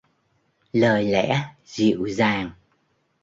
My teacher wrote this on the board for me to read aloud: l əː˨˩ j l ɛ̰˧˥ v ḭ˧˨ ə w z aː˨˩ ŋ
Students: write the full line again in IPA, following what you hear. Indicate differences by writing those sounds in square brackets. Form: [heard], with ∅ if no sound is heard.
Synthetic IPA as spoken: l əː˨˩ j l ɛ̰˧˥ [z] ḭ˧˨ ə w z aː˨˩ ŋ